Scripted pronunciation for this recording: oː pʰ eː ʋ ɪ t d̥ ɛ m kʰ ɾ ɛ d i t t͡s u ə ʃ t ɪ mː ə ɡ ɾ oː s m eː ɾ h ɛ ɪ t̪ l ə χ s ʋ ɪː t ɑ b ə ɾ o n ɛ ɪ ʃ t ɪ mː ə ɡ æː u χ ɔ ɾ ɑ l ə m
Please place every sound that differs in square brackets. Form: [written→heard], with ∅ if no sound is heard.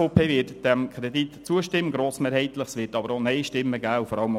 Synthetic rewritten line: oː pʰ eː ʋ ɪ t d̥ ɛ m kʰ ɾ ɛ d i t t͡s u ə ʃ t ɪ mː ə ɡ ɾ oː s m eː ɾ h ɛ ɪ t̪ l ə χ s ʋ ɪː t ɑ b ə ɾ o n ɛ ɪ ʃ t ɪ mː ə ɡ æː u [χ→f] ɔ ɾ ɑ l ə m